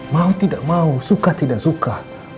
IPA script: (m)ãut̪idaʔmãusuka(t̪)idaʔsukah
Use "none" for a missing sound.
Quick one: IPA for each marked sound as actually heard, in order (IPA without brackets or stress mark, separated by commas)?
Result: m, t̪